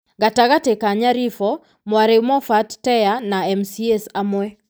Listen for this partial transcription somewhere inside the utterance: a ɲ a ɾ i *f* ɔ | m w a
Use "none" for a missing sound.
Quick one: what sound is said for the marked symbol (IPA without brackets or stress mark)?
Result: f